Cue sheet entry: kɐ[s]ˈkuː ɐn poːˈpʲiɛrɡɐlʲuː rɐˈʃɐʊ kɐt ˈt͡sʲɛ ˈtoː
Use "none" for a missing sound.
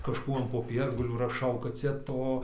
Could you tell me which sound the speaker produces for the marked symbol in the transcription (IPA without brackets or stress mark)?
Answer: ʃ